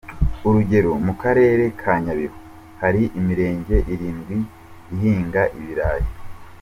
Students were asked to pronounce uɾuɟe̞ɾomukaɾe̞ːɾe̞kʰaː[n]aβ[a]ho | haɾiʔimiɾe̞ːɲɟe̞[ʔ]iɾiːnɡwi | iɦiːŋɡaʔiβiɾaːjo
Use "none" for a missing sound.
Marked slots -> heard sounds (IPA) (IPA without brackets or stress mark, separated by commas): ɲ, i, ʔ